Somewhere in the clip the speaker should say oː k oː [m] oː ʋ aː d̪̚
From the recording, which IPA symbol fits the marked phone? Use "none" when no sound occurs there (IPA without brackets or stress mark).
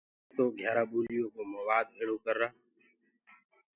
m